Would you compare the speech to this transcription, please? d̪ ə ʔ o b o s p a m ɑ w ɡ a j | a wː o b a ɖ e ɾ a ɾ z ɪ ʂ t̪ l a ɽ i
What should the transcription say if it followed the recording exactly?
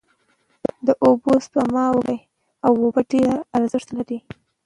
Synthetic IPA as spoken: d̪ ə ʔ o b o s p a m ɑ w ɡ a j | a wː o b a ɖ e ɾ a ɾ z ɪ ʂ t̪ l a ɾ i